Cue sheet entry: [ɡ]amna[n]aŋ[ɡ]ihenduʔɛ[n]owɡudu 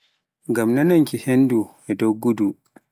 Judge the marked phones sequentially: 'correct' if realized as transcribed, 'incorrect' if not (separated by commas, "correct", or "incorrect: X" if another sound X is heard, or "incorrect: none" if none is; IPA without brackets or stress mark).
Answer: correct, correct, incorrect: k, incorrect: d